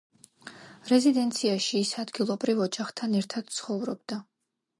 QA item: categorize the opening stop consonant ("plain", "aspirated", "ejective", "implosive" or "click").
plain